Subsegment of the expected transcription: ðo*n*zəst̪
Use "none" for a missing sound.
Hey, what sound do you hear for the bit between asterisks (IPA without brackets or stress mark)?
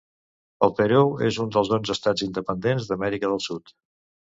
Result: n